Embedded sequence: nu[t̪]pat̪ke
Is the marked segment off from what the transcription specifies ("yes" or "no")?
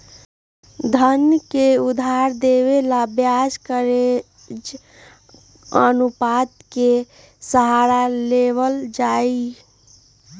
yes